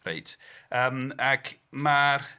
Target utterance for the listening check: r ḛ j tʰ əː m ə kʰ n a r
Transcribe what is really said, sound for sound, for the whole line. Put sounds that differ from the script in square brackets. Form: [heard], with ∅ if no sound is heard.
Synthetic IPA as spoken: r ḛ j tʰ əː m [a] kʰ [m] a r